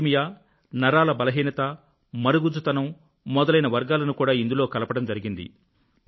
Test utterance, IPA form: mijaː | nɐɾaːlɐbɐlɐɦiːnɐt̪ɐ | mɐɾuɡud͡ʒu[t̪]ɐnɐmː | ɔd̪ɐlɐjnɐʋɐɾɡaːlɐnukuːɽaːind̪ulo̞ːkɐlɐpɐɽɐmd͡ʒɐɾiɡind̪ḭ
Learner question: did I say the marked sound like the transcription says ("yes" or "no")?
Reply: yes